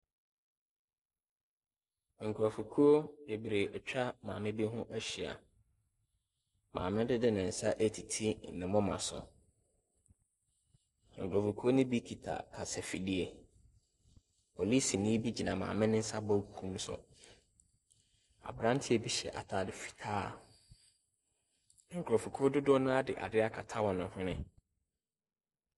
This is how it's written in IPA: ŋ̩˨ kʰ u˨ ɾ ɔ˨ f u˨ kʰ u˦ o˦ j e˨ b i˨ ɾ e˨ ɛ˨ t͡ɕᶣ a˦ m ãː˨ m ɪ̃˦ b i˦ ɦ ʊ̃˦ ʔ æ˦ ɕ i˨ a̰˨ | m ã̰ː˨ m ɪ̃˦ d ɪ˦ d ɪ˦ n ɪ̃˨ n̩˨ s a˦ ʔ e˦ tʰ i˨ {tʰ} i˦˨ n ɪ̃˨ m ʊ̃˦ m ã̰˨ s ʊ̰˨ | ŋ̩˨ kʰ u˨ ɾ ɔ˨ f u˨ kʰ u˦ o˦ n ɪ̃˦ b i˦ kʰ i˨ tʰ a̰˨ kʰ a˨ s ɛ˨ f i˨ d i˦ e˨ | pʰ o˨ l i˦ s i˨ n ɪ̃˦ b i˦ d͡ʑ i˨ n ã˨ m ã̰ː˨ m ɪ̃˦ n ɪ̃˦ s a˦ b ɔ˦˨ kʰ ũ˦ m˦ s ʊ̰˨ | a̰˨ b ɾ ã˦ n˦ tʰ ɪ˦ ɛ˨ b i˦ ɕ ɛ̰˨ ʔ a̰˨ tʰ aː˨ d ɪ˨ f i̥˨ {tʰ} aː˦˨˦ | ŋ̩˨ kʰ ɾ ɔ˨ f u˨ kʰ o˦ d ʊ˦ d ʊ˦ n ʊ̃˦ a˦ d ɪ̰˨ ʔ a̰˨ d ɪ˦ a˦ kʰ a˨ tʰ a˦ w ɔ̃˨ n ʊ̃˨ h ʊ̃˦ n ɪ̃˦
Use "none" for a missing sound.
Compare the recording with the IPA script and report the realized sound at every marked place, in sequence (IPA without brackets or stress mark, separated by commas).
tʰ, tʰ